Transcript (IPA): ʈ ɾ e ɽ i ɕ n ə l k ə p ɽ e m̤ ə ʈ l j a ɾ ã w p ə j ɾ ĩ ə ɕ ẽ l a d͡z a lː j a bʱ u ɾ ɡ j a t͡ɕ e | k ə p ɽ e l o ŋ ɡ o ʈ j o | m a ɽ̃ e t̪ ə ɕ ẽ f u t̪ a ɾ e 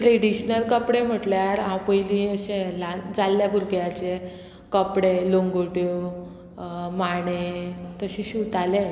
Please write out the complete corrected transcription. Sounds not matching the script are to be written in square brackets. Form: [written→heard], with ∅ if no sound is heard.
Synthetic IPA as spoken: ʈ ɾ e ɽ i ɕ n ə l k ə p ɽ e m̤ ə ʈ l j a ɾ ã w p ə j [ɾ→l] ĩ ə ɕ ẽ l a d͡z a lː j a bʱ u ɾ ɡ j a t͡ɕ e | k ə p ɽ e l o ŋ ɡ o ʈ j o | m a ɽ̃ e t̪ ə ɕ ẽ [f→ɕ] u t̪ a [ɾ→l] e